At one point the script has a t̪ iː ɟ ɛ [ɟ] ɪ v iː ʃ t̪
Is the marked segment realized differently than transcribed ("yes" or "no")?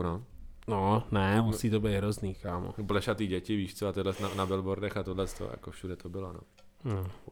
yes